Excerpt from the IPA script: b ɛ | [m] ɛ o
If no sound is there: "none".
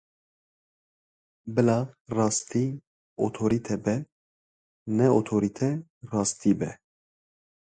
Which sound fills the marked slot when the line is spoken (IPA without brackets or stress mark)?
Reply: n